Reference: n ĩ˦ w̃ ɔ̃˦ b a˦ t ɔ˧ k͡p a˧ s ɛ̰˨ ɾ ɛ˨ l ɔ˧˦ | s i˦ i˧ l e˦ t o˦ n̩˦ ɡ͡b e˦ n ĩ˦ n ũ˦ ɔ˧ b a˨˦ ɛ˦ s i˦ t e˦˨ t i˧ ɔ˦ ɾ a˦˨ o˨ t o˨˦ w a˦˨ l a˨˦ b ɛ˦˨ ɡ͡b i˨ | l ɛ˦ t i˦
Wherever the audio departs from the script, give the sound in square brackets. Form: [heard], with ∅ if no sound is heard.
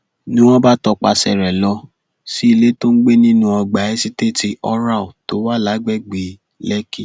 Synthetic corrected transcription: n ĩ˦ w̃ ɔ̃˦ b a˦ t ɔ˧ k͡p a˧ s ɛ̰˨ ɾ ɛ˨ l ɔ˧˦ | s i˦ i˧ l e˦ t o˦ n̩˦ ɡ͡b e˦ n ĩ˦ n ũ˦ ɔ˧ [ɡ͡b] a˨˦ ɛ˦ s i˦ t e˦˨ t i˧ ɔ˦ ɾ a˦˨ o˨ t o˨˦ w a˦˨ l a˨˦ [ɡ͡b] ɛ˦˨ ɡ͡b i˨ | l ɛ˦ [k] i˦